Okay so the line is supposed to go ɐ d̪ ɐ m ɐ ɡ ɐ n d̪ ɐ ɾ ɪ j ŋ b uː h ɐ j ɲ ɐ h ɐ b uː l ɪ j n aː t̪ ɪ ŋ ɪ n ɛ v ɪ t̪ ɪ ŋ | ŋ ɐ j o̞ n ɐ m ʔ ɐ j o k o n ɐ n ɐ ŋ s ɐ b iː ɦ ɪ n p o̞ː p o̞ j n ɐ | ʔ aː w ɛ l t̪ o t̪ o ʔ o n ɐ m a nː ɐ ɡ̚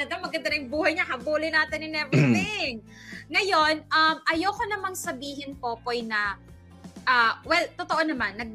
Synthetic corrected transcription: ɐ d̪ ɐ m ɐ ɡ ɐ n d̪ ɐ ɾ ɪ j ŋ b uː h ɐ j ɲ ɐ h ɐ b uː l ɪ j n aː t̪ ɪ n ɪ n ɛ v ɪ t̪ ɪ ŋ | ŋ ɐ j o̞ n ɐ m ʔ ɐ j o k o n ɐ m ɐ ŋ s ɐ b iː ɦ ɪ n p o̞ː p o̞ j n ɐ | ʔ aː w ɛ l t̪ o t̪ o ʔ o n ɐ m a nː ɐ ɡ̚